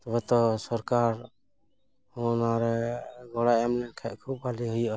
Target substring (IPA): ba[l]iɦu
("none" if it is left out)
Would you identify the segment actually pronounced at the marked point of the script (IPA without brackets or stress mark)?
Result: l